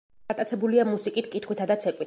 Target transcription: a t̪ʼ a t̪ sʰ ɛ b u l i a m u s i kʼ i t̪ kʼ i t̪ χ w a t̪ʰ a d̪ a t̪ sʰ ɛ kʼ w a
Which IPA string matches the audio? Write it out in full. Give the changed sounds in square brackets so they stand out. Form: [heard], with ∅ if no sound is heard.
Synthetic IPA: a t̪ʼ a t̪ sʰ ɛ b u l i a m u s i kʼ i t̪ kʼ i t̪ χ w [i] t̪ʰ a d̪ a t̪ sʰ ɛ kʼ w [i]